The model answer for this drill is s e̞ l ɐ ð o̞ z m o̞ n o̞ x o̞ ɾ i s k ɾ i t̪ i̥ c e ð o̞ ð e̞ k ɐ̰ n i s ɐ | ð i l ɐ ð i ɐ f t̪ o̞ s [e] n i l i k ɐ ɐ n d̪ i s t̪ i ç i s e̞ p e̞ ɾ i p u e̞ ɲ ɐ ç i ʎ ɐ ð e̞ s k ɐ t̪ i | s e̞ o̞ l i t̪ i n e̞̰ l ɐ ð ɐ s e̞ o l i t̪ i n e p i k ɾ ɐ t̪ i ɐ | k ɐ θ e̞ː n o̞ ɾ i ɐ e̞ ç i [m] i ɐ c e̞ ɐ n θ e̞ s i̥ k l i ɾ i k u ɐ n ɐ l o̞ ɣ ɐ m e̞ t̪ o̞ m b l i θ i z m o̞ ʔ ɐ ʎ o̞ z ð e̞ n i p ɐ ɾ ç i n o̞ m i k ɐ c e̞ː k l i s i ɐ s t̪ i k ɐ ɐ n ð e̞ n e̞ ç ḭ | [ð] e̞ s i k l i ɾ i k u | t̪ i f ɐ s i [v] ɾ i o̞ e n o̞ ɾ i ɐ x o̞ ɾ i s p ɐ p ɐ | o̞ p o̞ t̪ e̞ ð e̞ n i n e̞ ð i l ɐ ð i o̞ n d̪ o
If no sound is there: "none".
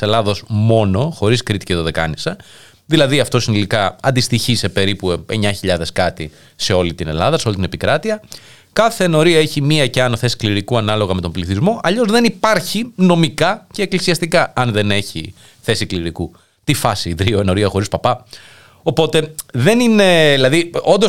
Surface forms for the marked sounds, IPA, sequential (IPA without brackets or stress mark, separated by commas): i, m, θ, ð